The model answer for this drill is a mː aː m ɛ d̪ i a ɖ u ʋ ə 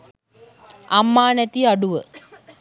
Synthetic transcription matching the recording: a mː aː n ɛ t̪ i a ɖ u ʋ ə

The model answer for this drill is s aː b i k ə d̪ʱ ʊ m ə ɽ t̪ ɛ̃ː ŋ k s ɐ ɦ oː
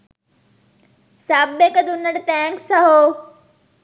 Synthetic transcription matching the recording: s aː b e k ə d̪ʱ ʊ n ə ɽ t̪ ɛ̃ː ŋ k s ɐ ɦ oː

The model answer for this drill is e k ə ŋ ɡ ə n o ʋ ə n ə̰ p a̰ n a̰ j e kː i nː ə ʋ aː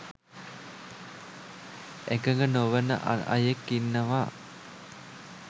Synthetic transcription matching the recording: e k ə ŋ ɡ ə n o ʋ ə n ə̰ ʔ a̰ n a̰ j e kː i nː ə ʋ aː

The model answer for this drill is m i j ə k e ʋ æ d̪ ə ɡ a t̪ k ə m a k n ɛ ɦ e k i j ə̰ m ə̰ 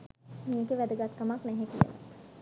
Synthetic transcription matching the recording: m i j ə k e ʋ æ d̪ ə ɡ a t̪ k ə m a k n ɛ ɦ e k i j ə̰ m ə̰

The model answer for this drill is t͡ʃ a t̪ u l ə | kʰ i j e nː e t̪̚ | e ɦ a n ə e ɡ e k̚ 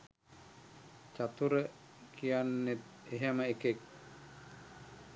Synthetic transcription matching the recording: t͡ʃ a t̪ u ɾ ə | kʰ i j a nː e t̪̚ | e ɦ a m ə e k e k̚

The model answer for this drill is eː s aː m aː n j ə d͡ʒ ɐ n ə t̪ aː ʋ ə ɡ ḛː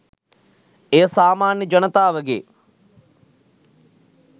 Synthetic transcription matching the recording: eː s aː m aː n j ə d͡ʒ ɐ n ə t̪ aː ʋ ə ɡ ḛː

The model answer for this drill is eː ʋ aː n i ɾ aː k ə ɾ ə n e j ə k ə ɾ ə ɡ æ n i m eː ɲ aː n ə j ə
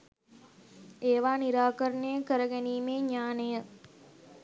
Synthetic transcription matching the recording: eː ʋ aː n i ɾ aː k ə ɾ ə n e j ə k ə ɾ ə ɡ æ n iː m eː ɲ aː n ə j ə

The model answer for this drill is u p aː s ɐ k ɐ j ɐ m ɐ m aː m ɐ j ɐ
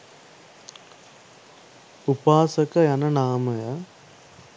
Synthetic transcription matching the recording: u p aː s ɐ k ɐ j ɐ n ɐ n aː m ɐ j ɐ

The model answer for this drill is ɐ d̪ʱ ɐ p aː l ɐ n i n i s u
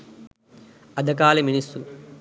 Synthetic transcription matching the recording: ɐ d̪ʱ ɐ k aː l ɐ m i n i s u

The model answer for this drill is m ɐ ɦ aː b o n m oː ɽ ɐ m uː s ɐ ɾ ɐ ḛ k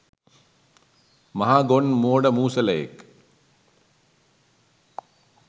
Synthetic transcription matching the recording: m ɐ ɦ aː ɡ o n m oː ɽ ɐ m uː s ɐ l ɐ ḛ k

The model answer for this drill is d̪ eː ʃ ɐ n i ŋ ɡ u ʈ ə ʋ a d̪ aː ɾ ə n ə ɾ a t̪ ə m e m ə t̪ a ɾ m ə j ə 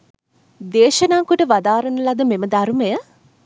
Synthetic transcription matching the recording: d̪ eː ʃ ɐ n a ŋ k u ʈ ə ʋ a d̪ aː ɾ ə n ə l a d̪ ə m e m ə d̪ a ɾ m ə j ə

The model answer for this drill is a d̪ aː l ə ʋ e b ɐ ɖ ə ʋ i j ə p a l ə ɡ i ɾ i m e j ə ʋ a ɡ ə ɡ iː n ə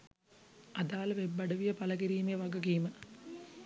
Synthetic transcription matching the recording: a d̪ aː l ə ʋ e bː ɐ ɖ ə ʋ i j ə p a l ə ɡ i ɾ iː m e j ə ʋ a ɡ ə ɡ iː m ə

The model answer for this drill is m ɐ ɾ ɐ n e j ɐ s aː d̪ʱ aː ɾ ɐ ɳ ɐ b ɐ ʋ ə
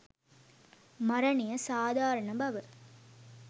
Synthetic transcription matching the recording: m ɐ ɾ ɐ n i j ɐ s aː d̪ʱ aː ɾ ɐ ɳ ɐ b ɐ ʋ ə

